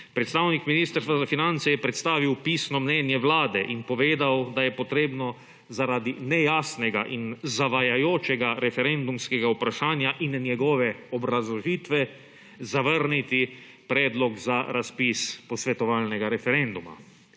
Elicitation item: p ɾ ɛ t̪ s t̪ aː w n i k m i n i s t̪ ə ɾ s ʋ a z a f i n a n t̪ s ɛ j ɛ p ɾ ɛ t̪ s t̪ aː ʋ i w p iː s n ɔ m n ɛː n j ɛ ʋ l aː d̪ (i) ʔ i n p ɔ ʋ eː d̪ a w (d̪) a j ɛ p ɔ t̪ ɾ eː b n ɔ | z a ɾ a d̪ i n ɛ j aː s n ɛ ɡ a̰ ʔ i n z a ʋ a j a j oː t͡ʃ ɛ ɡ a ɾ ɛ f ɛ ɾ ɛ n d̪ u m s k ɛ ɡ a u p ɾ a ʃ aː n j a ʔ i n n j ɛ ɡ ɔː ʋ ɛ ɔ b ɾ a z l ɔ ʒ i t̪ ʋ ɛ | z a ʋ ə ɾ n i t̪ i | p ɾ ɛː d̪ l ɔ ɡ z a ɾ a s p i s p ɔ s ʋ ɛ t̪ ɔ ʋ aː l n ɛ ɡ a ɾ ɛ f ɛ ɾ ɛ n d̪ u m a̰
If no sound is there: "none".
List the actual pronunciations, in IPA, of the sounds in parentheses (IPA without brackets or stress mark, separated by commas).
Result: ɛ, d̪